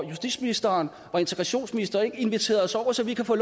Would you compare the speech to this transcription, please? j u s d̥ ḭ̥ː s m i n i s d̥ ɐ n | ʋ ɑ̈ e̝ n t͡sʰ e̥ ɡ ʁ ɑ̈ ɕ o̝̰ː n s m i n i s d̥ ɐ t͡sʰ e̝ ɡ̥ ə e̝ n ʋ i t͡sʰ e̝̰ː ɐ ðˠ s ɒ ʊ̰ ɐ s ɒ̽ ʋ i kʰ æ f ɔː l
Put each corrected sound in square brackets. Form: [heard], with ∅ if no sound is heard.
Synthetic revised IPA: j u s d̥ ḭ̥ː s m i n i s d̥ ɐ n | ʋ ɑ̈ e̝ n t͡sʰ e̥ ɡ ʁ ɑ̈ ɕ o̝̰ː n s m i n i s d̥ ɐ [∅] e̝ ɡ̥ ə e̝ n ʋ i t͡sʰ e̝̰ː ɐ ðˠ s ɒ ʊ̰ ɐ s ɒ̽ ʋ i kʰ æ f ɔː l